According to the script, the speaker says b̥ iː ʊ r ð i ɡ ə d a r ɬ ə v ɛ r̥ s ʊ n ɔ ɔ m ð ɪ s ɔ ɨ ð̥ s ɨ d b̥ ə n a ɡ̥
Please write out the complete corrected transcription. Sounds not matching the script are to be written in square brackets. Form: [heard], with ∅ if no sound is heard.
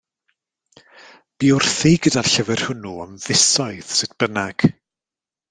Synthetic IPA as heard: b̥ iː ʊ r [θ] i ɡ ə d a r ɬ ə v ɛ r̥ [h] ʊ n [u] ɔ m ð ɪ s ɔ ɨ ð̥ s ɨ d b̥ ə n a ɡ̥

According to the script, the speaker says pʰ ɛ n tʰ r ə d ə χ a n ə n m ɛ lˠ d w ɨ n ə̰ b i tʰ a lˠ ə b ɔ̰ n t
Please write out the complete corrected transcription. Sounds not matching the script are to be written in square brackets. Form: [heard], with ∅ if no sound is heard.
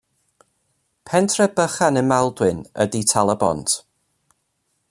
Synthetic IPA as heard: pʰ ɛ n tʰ r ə [b] ə χ a n ə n m ɛ lˠ d w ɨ n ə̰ [d] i tʰ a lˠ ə b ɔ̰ n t

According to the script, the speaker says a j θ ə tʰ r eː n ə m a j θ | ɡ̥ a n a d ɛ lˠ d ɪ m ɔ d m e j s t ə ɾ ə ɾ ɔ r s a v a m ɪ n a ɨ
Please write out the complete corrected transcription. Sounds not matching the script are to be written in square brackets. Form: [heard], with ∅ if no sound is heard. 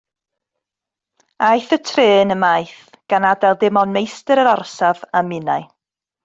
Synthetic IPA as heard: a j θ ə tʰ r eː n ə m a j θ | ɡ̥ a n a d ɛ lˠ d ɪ m ɔ [n] m e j s t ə ɾ ə ɾ ɔ r s a v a m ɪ n a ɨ

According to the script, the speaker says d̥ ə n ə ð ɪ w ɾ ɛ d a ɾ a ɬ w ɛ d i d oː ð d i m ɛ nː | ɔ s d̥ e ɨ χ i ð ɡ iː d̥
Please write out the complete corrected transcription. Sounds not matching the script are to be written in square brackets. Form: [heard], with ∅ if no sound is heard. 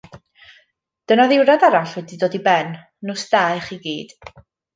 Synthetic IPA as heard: d̥ ə n [a] ð ɪ w ɾ [a] d a ɾ a ɬ w ɛ d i d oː [∅] d i [b] ɛ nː | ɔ s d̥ [a] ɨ χ i [∅] ɡ iː d̥

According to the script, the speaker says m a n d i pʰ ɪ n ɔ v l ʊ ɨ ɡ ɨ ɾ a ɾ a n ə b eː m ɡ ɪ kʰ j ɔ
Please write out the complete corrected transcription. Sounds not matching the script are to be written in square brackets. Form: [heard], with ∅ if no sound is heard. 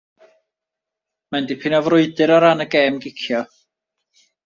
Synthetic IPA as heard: m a n d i pʰ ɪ n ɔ v [r] ʊ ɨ [d] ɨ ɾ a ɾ a n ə [ɡ] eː m ɡ ɪ kʰ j ɔ

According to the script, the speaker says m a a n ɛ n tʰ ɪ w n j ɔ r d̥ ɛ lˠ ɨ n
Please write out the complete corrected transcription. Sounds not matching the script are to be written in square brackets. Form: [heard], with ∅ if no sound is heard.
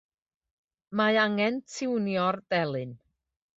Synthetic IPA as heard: m a a [ŋ] ɛ n tʰ ɪ w n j ɔ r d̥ ɛ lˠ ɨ n

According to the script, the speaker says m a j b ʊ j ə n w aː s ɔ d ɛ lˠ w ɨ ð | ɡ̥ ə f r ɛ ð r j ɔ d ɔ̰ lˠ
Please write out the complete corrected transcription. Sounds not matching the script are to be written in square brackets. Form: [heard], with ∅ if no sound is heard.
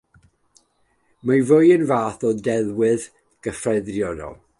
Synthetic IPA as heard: m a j [v] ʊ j ə n [v] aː [θ] ɔ d ɛ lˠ w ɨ ð | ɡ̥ ə f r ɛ ð r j ɔ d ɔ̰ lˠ

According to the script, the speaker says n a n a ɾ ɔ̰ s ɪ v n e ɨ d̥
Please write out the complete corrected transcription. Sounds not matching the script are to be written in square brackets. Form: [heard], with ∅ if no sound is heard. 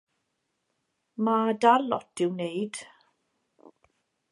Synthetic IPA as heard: [m] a [d] a [l] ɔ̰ [t] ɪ [w] n e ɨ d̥

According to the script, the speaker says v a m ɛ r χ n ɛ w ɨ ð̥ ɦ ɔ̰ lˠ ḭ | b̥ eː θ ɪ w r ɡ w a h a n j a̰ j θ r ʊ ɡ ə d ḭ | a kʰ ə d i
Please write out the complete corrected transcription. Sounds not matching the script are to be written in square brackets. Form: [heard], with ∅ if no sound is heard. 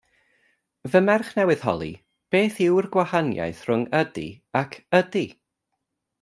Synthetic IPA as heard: v [ə] m ɛ r χ n ɛ w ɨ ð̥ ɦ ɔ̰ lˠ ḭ | b̥ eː θ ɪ w r ɡ w a h a n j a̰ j θ r ʊ [ŋ] ə d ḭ | a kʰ ə d i

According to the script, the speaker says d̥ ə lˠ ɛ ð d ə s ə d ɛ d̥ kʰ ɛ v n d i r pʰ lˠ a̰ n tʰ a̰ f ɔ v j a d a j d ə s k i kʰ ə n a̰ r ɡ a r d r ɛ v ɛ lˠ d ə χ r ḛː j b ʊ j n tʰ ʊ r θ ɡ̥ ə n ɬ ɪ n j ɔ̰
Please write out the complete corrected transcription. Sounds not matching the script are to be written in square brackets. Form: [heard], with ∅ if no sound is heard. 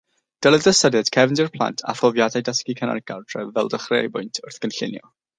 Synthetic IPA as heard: d̥ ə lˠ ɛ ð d ə s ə d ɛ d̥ kʰ ɛ v n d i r pʰ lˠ a̰ n tʰ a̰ f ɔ v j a d a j d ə s k i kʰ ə n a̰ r ɡ a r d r ɛ v ɛ lˠ d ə χ r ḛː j b ʊ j n tʰ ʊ r θ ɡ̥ ə n ɬ ɪ n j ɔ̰

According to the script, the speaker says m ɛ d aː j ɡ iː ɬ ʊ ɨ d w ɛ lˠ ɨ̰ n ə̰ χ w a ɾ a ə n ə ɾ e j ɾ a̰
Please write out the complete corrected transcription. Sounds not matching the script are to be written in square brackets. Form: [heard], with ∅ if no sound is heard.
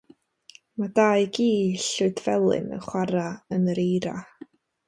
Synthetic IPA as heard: m [a] d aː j ɡ iː ɬ ʊ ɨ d [v] ɛ lˠ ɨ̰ n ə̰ χ w a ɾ a ə n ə ɾ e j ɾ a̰

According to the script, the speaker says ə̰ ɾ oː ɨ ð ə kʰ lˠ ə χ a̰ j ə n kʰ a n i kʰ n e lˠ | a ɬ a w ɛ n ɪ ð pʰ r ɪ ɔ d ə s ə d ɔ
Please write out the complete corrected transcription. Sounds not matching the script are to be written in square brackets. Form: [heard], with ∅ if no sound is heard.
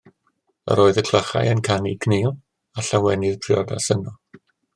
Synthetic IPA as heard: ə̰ ɾ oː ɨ ð ə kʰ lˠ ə χ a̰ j ə n kʰ a n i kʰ n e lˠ | a ɬ a w ɛ n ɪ ð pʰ r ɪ ɔ d [a] s ə [n] ɔ

